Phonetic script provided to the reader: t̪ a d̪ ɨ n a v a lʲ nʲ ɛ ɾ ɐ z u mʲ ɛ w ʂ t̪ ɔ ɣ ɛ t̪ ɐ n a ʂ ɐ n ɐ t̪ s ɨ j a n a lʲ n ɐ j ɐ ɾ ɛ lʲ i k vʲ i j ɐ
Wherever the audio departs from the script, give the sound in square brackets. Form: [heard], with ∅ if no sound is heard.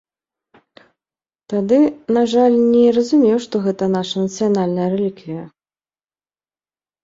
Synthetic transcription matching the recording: t̪ a d̪ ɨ n a [ʐ] a lʲ nʲ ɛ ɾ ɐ z u mʲ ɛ w ʂ t̪ ɔ ɣ ɛ t̪ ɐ n a ʂ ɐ n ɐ t̪ s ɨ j a n a lʲ n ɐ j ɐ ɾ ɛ lʲ i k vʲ i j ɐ